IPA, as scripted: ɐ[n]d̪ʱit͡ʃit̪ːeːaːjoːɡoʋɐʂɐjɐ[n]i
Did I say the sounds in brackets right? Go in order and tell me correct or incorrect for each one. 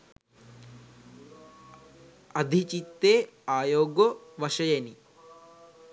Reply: incorrect, correct

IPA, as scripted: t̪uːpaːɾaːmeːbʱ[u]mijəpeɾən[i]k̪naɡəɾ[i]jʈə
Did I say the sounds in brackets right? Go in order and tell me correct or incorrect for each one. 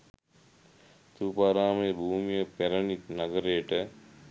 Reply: incorrect, correct, incorrect

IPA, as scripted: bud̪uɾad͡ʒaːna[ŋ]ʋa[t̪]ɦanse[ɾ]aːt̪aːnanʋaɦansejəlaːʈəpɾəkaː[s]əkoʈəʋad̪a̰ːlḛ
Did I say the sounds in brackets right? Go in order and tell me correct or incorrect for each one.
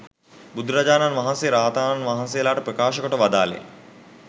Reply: incorrect, incorrect, correct, incorrect

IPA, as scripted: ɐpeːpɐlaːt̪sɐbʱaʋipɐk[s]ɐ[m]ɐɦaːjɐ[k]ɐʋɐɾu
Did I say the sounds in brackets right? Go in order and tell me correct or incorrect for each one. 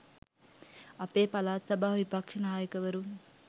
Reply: incorrect, incorrect, correct

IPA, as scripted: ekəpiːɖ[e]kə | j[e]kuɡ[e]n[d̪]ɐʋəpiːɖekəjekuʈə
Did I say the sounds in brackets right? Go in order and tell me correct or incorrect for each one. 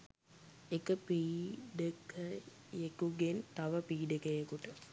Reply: correct, correct, correct, incorrect

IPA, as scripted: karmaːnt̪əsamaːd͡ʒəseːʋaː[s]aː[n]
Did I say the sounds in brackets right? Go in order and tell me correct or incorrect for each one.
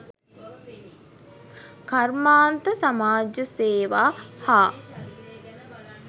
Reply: incorrect, incorrect

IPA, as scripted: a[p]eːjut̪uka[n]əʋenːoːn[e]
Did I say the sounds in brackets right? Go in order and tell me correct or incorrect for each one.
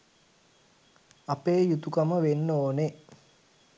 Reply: correct, incorrect, correct

